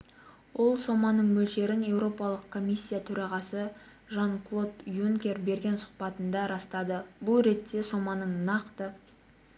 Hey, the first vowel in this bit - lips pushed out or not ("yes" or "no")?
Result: yes